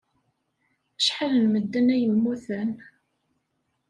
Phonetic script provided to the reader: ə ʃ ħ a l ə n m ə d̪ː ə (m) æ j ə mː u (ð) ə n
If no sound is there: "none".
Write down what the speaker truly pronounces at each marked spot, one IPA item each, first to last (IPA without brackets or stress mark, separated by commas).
n, θ